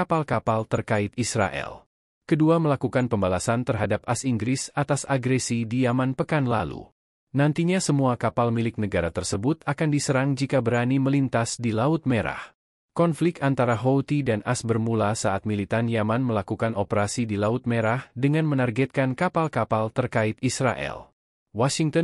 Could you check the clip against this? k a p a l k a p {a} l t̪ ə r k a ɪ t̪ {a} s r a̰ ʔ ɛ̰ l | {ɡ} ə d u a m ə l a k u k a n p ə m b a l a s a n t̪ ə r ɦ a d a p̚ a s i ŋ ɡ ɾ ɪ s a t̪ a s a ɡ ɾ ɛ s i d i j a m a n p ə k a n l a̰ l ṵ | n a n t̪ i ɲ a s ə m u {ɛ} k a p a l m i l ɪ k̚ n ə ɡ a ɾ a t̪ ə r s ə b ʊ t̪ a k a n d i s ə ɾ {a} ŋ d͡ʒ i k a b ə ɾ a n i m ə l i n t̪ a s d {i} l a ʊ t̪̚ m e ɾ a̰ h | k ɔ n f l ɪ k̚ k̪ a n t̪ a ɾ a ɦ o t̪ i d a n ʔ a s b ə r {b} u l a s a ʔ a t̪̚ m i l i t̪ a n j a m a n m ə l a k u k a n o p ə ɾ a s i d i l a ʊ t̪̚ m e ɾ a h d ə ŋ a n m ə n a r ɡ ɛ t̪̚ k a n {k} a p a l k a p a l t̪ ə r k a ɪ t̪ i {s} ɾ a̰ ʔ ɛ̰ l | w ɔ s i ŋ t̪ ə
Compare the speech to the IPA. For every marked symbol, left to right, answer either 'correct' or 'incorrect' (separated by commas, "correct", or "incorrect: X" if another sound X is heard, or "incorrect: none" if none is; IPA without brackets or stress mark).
correct, incorrect: i, incorrect: k, incorrect: a, correct, correct, incorrect: m, correct, correct